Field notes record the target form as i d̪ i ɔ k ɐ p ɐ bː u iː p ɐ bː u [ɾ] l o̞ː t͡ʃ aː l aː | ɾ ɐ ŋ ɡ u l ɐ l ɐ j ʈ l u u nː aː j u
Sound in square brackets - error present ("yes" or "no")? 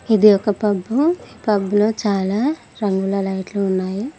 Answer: yes